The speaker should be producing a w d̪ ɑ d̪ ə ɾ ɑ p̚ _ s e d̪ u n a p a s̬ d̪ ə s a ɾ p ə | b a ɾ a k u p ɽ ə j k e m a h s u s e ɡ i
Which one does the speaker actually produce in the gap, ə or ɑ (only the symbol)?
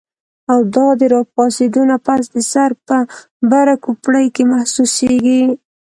ɑ